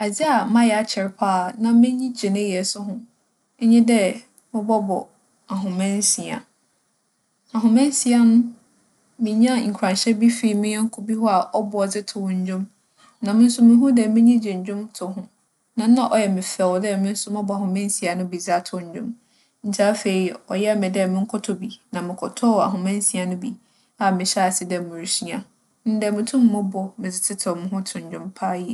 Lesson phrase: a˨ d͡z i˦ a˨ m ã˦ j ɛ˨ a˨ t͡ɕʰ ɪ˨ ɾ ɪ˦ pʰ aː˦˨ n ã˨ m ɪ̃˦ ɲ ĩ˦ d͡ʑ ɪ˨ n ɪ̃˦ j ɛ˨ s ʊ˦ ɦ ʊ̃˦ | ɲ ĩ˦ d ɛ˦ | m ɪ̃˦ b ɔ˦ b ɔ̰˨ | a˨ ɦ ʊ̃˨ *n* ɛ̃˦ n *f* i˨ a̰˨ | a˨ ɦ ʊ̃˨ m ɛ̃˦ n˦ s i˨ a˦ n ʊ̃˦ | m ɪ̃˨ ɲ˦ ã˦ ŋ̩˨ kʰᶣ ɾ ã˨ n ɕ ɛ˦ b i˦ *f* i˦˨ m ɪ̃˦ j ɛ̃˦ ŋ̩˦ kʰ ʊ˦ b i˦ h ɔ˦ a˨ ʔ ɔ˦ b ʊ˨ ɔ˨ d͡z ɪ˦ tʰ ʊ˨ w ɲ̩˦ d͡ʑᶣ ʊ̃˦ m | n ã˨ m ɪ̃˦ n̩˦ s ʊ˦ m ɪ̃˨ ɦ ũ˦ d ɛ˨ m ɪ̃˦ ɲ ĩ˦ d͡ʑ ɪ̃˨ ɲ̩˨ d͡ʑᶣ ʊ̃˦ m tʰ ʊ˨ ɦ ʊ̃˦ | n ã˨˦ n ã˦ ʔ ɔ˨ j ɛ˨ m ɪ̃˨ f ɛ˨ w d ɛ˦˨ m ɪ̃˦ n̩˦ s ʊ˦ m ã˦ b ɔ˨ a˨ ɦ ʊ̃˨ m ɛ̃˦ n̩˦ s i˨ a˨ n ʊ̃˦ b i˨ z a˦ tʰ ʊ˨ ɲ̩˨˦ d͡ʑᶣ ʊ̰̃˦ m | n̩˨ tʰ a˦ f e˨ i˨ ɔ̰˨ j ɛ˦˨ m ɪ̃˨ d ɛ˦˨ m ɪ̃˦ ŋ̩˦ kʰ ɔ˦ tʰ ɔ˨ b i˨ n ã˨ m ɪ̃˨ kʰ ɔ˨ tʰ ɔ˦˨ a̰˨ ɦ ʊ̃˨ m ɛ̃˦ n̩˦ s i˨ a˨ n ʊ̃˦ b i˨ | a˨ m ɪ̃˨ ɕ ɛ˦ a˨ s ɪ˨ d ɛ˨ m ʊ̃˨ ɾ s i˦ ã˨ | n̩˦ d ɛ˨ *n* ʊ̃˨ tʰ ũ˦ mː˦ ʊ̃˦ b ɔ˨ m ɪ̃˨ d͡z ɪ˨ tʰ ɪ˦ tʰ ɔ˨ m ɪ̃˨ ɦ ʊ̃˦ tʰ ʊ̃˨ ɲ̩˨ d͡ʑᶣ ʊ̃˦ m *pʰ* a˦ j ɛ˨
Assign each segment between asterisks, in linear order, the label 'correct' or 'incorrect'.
incorrect: m, incorrect: s, correct, incorrect: m, correct

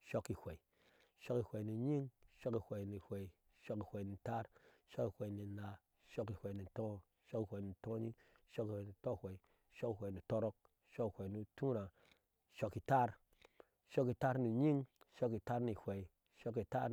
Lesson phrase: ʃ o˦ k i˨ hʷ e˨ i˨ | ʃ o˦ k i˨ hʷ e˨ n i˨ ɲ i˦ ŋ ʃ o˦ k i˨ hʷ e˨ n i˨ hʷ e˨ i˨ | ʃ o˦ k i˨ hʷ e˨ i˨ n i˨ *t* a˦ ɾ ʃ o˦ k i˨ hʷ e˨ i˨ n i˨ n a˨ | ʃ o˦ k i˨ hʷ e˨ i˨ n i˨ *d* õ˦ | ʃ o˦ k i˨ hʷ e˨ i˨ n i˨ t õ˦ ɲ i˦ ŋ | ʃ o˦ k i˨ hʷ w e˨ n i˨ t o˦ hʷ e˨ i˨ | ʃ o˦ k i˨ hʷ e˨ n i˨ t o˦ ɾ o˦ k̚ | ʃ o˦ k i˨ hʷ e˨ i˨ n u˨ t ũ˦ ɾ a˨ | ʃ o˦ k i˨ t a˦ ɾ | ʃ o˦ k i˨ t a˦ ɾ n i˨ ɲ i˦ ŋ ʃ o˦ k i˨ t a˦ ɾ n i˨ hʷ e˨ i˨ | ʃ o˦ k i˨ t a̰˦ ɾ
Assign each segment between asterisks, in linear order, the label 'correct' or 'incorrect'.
correct, incorrect: t

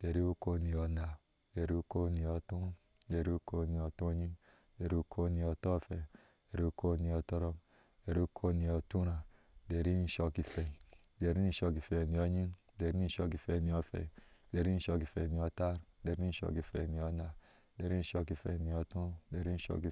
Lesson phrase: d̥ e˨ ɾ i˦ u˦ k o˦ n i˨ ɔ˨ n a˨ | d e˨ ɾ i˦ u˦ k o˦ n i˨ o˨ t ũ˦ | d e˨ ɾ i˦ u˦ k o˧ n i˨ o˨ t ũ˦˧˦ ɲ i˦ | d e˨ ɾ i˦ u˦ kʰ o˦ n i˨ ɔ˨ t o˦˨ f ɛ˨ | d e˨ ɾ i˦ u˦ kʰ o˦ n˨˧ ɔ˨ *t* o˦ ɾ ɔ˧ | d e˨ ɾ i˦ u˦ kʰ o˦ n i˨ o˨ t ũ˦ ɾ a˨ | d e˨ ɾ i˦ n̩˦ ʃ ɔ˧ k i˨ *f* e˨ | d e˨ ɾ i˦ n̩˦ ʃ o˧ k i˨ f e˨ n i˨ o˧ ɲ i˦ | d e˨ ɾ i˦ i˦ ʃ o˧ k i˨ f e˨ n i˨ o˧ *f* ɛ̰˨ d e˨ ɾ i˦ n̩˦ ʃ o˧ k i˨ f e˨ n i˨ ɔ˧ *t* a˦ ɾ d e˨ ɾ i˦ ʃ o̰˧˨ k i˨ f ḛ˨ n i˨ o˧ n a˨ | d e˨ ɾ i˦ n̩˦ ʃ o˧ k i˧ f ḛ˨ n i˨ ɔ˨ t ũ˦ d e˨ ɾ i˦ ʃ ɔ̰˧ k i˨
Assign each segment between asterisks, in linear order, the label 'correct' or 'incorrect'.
correct, correct, correct, correct

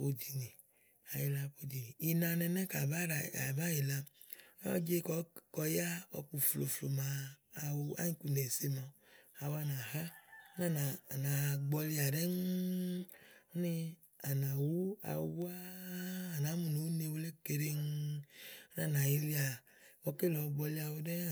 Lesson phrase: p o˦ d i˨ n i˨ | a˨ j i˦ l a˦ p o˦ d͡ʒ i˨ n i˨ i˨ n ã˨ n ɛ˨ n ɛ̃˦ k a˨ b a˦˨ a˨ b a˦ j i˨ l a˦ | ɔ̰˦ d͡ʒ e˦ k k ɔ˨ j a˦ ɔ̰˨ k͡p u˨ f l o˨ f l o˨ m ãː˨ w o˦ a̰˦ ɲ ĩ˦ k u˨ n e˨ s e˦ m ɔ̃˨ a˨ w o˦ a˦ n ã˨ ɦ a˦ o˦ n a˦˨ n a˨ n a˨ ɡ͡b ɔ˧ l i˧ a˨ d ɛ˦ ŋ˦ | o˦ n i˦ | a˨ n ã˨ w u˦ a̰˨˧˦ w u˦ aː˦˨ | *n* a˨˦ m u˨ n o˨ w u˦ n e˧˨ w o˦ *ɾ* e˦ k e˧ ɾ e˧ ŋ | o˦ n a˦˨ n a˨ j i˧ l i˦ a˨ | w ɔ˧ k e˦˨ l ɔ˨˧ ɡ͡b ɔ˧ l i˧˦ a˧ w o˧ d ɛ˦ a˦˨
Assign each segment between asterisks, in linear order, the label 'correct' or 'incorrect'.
correct, incorrect: l

